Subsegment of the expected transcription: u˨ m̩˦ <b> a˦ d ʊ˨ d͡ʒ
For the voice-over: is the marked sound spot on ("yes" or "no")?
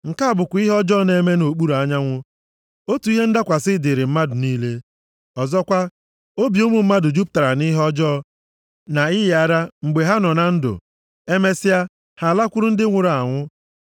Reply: no